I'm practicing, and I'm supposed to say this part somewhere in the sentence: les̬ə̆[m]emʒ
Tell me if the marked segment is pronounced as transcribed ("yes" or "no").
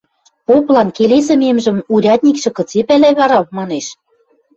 yes